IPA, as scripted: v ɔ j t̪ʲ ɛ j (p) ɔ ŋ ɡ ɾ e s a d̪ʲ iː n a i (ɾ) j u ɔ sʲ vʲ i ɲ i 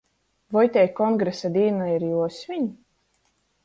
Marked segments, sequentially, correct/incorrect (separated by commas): incorrect, correct